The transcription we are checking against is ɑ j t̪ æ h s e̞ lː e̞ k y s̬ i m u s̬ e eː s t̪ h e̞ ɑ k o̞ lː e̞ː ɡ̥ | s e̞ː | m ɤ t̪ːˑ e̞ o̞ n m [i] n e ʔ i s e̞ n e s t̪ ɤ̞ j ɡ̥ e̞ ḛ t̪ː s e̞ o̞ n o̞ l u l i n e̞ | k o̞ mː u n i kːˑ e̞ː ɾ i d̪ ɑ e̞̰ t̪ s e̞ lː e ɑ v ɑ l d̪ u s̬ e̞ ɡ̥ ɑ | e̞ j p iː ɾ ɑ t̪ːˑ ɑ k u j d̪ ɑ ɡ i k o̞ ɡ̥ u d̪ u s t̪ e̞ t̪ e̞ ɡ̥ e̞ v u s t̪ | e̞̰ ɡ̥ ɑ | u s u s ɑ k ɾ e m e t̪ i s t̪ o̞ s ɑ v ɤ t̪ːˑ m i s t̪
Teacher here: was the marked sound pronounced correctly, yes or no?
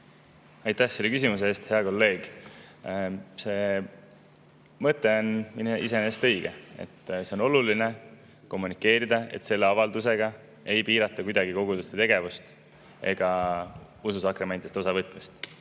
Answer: yes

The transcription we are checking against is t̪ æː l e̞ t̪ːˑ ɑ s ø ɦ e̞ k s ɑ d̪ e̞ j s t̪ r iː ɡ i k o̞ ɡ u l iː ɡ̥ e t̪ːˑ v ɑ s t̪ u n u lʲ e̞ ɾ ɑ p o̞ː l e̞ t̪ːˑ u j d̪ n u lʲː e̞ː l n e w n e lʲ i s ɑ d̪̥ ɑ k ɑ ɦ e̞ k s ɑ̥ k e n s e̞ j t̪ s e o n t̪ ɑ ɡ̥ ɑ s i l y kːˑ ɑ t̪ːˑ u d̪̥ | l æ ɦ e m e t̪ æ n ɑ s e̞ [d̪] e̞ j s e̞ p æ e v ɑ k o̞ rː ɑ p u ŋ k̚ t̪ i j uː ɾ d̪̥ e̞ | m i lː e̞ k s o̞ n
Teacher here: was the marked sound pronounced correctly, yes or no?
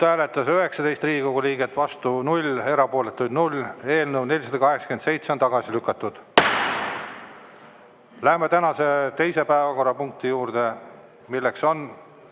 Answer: no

